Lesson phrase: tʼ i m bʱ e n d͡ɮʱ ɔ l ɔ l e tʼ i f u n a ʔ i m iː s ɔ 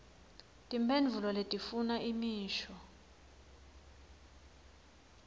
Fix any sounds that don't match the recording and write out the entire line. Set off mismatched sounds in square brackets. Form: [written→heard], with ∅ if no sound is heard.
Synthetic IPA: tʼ i m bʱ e n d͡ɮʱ [ɔ→u] l ɔ l e tʼ i f u n a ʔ i m iː [s→ʃ] ɔ